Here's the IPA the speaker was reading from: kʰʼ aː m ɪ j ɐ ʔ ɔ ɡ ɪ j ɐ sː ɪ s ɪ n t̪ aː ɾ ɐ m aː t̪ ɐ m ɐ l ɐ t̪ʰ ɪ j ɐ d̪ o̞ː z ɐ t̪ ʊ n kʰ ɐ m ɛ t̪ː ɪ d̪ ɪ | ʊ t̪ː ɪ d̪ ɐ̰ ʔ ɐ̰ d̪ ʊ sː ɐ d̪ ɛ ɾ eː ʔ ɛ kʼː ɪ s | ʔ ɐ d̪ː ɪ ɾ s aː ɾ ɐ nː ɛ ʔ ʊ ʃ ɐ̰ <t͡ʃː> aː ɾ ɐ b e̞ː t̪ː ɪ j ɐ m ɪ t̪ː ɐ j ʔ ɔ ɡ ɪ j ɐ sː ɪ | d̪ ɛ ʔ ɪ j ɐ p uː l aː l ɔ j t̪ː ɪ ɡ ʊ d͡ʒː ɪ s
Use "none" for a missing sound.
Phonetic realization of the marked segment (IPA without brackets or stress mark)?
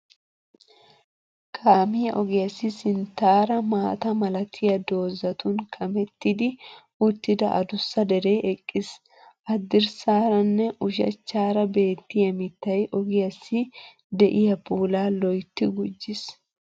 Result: t͡ʃː